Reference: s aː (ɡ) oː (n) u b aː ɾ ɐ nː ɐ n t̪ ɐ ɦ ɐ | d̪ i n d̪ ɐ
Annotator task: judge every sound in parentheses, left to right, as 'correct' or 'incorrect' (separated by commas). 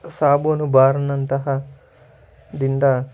incorrect, correct